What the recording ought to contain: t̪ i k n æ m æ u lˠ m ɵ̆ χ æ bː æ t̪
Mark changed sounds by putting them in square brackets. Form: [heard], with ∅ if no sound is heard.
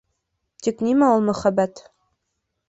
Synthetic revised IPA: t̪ i k n [i] m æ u lˠ m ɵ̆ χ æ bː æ t̪